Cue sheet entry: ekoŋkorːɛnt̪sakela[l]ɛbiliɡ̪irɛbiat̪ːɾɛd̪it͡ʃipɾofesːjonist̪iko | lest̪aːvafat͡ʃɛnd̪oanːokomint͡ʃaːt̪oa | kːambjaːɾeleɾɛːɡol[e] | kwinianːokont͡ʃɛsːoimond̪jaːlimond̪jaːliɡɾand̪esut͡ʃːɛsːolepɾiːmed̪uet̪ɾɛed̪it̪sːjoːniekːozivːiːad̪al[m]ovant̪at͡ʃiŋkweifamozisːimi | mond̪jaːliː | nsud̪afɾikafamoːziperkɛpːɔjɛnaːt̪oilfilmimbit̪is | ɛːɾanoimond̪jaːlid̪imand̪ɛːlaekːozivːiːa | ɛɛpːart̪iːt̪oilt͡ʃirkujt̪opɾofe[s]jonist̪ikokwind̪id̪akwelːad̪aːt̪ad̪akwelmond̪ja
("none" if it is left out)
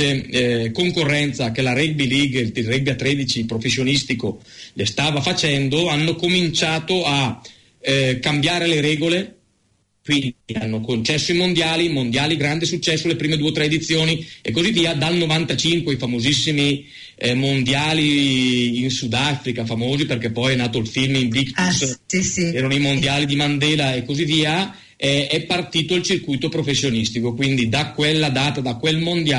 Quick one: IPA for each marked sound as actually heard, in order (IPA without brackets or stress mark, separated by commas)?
ɾ, e, n, sː